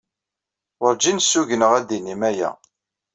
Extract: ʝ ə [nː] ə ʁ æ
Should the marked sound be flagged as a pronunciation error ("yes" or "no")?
yes